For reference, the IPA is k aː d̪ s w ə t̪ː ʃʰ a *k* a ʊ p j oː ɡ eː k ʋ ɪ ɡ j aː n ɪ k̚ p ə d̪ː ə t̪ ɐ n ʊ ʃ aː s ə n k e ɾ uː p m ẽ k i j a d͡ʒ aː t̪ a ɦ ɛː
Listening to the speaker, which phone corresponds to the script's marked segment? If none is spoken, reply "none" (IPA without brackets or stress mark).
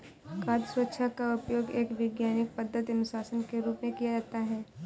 k